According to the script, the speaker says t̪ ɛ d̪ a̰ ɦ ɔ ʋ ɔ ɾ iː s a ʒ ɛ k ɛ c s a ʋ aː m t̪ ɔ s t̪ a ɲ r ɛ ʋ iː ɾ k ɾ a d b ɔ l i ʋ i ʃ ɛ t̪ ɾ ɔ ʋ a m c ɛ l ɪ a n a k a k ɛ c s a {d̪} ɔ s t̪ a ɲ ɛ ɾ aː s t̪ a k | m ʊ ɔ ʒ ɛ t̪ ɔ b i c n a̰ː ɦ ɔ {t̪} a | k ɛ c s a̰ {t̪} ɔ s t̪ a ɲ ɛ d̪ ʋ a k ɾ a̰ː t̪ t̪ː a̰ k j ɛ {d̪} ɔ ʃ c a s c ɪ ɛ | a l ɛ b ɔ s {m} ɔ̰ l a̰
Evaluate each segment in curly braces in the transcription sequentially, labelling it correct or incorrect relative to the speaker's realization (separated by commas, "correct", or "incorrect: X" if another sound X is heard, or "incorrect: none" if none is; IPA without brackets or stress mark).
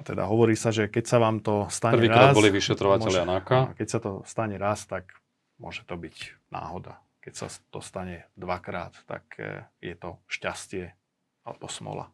incorrect: t̪, incorrect: d̪, correct, incorrect: t̪, correct